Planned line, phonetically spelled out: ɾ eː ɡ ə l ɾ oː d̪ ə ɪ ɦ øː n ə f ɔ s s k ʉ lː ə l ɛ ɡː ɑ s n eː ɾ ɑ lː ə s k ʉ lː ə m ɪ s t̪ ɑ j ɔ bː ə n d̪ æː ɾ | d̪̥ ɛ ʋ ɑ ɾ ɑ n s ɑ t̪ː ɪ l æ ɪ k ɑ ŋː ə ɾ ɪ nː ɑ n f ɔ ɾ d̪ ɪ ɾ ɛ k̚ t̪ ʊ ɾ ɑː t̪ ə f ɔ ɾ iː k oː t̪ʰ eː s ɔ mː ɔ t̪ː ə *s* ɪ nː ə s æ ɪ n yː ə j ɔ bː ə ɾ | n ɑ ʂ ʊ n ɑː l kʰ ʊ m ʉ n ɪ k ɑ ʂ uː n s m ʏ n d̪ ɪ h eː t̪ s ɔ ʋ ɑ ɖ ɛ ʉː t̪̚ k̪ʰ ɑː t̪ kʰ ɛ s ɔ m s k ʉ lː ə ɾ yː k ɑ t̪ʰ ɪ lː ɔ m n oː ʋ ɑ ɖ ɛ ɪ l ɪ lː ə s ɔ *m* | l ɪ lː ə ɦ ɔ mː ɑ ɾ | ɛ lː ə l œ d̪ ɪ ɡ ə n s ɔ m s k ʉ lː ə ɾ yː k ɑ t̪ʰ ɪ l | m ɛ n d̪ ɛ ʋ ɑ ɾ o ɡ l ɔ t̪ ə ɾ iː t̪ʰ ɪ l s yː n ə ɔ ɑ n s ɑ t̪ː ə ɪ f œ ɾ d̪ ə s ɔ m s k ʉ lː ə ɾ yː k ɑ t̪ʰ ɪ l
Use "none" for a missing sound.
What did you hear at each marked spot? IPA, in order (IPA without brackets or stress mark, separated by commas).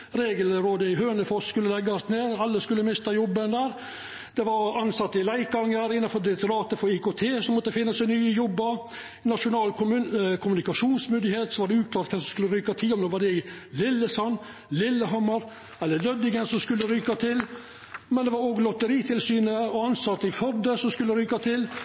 f, n